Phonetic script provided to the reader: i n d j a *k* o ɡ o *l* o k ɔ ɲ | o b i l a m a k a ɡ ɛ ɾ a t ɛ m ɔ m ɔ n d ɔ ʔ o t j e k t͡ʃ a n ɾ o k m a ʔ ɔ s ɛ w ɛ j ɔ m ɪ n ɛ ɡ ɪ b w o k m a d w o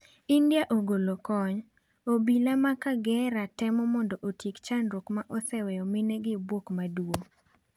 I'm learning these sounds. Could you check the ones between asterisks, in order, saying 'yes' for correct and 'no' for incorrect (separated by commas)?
no, yes